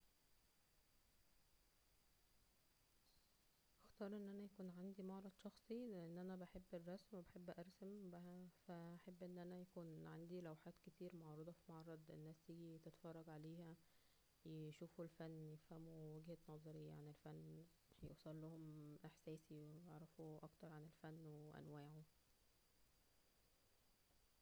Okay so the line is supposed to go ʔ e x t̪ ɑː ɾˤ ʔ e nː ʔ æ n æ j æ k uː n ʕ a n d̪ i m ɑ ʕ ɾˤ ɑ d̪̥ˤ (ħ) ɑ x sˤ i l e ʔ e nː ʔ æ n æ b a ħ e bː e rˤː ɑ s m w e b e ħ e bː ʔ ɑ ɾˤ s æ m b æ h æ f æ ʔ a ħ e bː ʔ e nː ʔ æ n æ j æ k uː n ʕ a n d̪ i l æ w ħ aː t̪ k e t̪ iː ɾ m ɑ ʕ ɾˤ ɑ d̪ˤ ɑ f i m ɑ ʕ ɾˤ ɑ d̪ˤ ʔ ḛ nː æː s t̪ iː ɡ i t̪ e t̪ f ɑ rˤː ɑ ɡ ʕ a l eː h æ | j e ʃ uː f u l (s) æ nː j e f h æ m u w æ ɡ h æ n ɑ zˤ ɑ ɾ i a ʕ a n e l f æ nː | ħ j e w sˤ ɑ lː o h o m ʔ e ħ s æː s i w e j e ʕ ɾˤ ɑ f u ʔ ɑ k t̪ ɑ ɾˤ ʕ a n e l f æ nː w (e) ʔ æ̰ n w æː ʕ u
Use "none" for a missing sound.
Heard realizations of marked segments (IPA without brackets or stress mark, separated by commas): ʃ, f, e